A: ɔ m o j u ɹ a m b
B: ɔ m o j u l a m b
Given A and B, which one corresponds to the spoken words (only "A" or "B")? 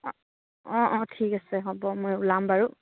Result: B